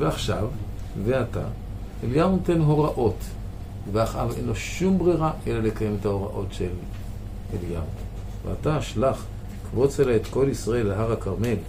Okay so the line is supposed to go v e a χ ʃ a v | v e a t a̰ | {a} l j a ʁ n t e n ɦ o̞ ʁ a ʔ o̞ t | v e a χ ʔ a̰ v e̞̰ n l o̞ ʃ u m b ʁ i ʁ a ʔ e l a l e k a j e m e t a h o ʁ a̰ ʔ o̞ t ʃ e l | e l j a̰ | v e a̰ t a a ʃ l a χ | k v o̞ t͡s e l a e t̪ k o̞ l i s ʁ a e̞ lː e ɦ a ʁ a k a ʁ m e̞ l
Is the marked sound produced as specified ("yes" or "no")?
no